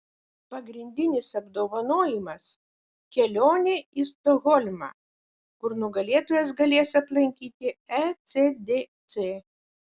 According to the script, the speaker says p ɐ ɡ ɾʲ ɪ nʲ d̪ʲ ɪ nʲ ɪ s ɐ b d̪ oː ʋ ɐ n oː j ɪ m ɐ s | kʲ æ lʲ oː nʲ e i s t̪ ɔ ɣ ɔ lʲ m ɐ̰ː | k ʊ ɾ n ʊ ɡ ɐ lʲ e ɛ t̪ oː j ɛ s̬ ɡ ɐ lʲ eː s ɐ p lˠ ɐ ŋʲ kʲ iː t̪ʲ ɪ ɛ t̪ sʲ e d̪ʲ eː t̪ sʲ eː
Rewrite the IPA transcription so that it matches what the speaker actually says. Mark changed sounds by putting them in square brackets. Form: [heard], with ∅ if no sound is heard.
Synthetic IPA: p ɐ ɡ ɾʲ ɪ nʲ d̪ʲ ɪ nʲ ɪ s ɐ b d̪ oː ʋ ɐ n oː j ɪ m ɐ s | kʲ [ɛ] lʲ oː nʲ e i s t̪ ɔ ɣ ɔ lʲ m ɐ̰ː | k ʊ ɾ n ʊ ɡ ɐ lʲ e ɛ t̪ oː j ɛ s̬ ɡ ɐ lʲ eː s ɐ p lˠ ɐ ŋʲ kʲ iː t̪ʲ ɪ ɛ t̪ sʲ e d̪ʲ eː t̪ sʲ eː